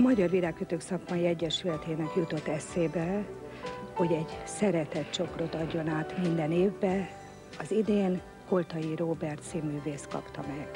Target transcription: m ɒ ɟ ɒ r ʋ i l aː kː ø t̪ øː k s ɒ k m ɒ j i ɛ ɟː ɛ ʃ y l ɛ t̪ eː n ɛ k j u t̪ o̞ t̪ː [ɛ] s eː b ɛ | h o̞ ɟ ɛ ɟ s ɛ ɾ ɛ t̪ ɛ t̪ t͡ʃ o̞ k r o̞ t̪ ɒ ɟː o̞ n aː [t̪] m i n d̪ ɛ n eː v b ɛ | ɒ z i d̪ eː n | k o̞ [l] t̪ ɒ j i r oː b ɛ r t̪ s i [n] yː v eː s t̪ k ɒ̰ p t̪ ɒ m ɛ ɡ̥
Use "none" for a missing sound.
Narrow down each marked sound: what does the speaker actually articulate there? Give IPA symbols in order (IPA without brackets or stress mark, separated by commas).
ɛ, t̪, l, m